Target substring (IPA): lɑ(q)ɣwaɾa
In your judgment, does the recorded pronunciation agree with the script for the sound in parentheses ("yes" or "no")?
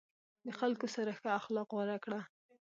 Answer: yes